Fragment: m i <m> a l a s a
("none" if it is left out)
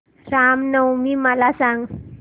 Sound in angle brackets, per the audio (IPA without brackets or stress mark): m